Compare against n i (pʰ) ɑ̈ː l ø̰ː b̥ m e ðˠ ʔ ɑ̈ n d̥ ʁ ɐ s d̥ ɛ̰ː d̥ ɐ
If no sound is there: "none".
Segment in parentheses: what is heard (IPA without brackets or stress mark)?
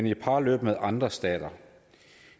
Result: pʰ